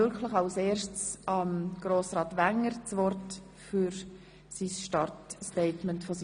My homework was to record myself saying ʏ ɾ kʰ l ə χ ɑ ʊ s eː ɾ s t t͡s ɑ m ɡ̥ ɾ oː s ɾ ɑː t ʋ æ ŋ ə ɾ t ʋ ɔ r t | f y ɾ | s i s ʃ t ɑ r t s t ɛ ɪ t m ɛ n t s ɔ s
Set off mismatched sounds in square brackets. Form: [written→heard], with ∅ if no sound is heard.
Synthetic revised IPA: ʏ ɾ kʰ l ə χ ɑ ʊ s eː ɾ [s→ʃ] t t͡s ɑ m ɡ̥ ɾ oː s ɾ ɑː t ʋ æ ŋ ə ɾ [t→t͡s] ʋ ɔ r t | f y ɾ | s i s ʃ t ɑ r t s t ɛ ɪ t m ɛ n t [s→f] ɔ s